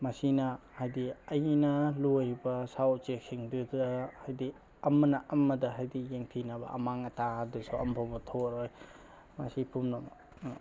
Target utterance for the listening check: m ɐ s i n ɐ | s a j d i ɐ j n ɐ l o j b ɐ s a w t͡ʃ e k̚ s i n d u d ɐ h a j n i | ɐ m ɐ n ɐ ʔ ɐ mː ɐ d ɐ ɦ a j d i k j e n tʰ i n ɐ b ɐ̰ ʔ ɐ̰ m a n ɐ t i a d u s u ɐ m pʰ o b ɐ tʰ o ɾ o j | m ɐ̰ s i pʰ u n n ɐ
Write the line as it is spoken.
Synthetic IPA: m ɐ s i n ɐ | h a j d i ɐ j n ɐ l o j b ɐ s a w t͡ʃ e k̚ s i ŋ d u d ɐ h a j d i | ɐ m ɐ n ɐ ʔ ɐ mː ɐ d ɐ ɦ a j d i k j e ŋ tʰ i n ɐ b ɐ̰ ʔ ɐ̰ m a ŋ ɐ t a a d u s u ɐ m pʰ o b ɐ tʰ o ɾ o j | m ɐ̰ s i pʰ u m n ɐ